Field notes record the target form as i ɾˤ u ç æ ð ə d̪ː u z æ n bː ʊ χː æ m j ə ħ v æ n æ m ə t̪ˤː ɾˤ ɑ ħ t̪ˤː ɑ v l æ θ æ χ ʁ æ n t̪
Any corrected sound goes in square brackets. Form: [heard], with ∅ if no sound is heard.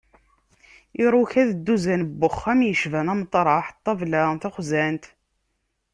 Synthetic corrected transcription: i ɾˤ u ç æ ð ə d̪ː u z æ n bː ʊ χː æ m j ə [ʃ] v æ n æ m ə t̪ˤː ɾˤ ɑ ħ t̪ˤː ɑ v l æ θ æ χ [z] æ n t̪